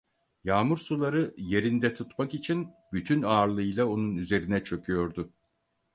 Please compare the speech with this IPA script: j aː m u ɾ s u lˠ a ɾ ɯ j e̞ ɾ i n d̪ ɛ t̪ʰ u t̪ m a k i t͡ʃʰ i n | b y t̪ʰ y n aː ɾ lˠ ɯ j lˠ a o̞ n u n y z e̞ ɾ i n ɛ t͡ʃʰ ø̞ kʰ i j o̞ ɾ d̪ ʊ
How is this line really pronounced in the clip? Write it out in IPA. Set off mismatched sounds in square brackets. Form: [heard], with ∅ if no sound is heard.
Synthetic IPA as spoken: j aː m u ɾ s u lˠ a ɾ ɯ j e̞ ɾ i n d̪ ɛ t̪ʰ u t̪ m a k i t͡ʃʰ i n | b y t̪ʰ y n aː ɾ lˠ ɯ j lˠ a o̞ n u n y z e̞ ɾ i n ɛ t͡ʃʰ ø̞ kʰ [y] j o̞ ɾ d̪ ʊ